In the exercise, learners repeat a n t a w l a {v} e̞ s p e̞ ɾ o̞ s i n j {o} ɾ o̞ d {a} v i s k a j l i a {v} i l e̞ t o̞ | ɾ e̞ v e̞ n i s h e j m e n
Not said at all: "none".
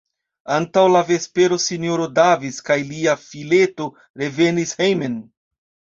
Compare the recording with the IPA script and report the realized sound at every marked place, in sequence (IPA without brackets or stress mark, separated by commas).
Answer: v, o, a, f